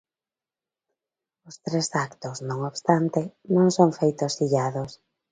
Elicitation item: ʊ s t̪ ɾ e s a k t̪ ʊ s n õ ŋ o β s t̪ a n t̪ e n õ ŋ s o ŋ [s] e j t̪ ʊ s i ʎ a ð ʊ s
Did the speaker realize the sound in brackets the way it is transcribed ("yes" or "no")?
no